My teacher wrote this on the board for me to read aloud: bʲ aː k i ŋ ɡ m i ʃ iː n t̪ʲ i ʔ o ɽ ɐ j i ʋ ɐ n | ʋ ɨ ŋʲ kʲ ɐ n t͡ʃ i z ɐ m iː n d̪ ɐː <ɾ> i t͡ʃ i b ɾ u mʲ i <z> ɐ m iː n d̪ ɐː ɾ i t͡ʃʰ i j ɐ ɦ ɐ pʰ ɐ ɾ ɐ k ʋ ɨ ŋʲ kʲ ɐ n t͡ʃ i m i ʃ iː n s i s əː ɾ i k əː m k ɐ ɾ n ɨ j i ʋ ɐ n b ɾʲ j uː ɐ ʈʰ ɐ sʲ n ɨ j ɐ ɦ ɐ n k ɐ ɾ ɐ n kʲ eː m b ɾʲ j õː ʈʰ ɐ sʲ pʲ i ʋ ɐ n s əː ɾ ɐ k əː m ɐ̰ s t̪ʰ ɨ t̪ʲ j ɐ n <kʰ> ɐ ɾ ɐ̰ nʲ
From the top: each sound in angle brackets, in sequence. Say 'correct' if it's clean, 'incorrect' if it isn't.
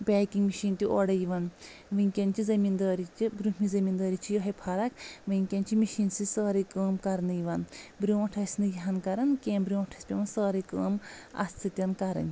correct, correct, incorrect: k

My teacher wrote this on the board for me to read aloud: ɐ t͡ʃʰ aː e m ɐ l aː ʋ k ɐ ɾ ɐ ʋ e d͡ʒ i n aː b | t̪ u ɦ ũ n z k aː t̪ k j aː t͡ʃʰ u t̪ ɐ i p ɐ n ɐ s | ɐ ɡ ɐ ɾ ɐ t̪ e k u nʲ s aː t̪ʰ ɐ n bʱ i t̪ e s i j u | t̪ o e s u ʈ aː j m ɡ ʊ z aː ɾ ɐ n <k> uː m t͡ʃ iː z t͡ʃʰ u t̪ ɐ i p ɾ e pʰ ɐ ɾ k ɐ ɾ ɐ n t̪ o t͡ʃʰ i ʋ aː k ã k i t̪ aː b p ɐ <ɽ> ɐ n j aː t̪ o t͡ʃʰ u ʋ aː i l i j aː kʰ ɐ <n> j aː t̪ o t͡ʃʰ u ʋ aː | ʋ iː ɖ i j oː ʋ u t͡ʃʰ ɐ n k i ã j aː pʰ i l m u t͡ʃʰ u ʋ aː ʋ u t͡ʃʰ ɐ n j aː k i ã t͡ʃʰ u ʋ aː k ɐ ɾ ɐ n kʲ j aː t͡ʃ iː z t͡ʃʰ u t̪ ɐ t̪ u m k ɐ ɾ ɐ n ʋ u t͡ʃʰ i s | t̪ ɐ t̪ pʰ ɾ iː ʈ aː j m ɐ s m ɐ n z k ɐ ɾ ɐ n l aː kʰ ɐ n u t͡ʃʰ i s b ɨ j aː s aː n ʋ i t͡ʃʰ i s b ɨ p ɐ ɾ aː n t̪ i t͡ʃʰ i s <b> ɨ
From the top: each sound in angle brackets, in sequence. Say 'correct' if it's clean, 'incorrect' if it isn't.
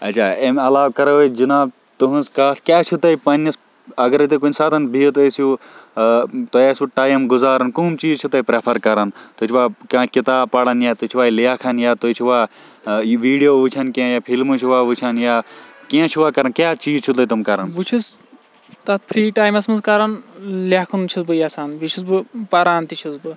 correct, correct, correct, correct

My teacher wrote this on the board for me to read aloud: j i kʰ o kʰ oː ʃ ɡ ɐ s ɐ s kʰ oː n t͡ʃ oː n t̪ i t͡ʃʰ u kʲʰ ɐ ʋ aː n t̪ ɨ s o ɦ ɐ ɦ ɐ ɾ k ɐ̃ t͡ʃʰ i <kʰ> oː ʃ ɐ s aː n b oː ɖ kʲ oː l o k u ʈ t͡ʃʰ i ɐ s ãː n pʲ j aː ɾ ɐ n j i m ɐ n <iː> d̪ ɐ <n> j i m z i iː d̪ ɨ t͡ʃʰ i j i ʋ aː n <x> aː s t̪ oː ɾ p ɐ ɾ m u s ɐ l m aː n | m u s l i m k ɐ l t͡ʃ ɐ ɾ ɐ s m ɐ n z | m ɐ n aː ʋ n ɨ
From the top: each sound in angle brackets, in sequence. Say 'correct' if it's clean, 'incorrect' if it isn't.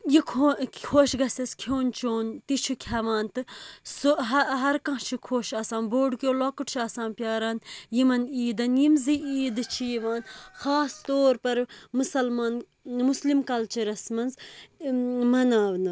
correct, correct, correct, correct

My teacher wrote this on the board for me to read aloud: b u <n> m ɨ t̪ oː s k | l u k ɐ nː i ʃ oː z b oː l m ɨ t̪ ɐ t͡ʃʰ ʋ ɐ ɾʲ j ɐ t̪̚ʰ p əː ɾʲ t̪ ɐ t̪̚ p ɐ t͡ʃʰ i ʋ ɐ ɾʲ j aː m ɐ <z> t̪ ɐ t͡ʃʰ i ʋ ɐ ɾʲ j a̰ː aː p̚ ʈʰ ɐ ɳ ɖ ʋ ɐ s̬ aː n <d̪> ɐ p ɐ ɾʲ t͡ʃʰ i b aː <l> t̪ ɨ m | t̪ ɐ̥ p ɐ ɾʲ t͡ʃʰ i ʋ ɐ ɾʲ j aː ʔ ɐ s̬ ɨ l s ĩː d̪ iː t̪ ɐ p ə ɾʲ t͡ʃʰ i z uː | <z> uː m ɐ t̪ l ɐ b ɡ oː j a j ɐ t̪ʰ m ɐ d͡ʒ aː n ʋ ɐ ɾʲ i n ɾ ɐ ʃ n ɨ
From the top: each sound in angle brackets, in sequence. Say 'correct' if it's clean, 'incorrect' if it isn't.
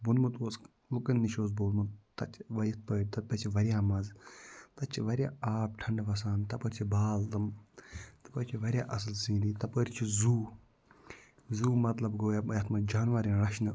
correct, correct, incorrect: t̪, correct, correct

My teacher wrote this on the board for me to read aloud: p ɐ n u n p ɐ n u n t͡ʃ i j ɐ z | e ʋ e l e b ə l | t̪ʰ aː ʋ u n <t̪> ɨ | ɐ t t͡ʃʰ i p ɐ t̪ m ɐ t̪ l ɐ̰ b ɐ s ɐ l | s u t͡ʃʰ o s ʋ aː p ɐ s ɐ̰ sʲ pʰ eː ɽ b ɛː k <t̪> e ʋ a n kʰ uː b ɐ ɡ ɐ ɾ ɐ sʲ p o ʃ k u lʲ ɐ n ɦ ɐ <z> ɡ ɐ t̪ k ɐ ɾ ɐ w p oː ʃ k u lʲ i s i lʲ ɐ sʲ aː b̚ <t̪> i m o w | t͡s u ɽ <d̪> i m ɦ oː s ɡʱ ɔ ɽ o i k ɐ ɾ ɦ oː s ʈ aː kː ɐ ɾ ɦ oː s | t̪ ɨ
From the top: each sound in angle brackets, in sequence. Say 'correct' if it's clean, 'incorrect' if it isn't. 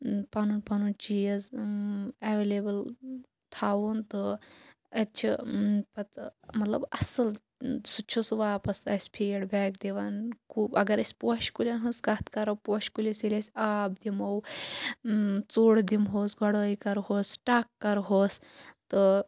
correct, incorrect: d̪, incorrect: s, incorrect: d̪, correct

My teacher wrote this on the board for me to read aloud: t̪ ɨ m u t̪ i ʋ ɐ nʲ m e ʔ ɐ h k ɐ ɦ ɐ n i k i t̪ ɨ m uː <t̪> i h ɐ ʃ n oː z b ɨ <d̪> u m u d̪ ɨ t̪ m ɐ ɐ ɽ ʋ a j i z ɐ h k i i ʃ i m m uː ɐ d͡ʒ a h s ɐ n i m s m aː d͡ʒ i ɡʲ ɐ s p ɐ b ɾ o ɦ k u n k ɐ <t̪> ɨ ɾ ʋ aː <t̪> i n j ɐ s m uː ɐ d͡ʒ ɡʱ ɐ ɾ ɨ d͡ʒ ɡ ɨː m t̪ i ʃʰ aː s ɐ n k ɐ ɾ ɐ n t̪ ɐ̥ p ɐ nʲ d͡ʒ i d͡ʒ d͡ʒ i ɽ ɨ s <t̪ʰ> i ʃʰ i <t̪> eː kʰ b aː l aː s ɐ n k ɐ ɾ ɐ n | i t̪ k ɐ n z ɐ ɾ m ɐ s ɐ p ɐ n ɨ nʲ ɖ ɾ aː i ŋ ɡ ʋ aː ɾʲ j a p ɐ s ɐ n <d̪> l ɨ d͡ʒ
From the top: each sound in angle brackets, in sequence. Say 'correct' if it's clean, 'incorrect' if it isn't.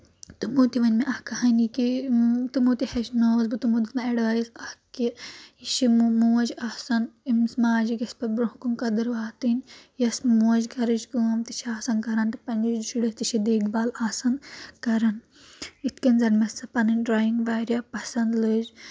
correct, incorrect: t̪, incorrect: d̪, correct, incorrect: t̪, incorrect: d̪, correct

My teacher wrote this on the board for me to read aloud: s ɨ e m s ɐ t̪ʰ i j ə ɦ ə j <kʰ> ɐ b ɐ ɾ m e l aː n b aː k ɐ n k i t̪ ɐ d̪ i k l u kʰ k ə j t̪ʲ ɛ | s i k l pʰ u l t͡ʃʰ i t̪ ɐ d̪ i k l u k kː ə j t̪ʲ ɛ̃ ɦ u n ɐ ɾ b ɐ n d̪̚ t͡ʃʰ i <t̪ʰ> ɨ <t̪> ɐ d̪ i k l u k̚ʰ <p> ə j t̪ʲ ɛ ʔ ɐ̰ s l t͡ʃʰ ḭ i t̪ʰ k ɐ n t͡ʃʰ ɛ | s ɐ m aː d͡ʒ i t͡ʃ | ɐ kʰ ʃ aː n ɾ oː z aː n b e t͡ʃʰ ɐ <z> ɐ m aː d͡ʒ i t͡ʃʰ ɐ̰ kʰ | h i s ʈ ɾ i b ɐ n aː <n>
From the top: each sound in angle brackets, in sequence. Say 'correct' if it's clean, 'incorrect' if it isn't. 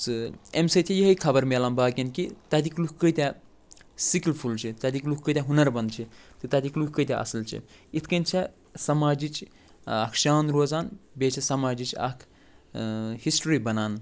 correct, incorrect: t̪, correct, incorrect: k, incorrect: s, correct

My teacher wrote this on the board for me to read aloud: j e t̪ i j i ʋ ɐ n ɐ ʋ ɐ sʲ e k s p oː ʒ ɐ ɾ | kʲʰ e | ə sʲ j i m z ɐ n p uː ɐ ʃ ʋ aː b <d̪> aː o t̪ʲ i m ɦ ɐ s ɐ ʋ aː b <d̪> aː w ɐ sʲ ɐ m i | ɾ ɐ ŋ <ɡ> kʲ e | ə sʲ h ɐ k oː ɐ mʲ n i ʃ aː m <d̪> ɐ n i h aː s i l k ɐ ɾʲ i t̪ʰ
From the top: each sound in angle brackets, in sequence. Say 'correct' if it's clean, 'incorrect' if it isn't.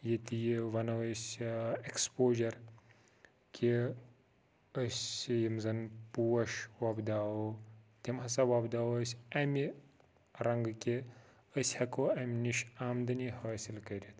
correct, correct, correct, correct

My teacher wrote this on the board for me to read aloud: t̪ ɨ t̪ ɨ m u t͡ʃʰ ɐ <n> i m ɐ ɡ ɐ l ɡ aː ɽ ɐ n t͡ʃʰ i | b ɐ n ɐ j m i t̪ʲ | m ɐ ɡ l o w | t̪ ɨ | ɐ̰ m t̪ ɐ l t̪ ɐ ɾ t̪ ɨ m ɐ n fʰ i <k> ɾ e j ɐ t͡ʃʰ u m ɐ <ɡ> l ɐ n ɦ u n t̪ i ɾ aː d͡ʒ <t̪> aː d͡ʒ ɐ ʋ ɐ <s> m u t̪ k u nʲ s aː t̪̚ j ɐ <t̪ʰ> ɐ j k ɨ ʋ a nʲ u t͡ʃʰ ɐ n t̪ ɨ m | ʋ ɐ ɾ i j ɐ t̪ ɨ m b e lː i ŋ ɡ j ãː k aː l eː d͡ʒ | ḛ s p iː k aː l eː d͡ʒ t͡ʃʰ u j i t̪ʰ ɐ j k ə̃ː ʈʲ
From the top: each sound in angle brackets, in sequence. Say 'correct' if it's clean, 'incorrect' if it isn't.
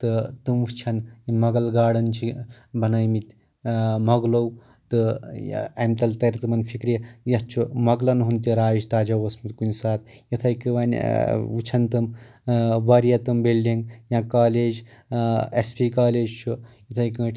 correct, correct, correct, correct, correct, correct

